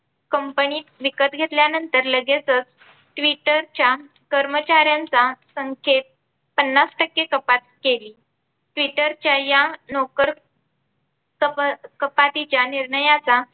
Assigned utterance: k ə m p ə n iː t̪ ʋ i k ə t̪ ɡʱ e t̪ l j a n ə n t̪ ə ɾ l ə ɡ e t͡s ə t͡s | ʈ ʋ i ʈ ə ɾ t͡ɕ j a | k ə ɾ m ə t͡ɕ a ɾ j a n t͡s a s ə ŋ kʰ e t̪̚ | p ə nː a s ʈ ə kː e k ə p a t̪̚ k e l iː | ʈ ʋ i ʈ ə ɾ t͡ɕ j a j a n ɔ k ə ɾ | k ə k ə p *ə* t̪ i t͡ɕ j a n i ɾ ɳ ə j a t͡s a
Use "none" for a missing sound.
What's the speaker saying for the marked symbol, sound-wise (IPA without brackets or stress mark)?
a